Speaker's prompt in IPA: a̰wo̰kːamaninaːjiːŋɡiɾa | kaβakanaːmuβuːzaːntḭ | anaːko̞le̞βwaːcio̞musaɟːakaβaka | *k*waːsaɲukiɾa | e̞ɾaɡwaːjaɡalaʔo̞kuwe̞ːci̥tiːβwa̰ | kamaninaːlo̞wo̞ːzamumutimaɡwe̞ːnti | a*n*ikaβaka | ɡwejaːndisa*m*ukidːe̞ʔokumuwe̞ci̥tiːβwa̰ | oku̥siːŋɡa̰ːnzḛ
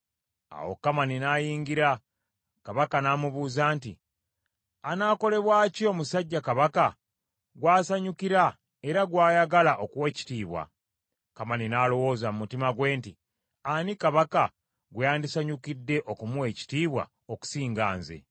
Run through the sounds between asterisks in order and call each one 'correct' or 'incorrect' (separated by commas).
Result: incorrect, correct, incorrect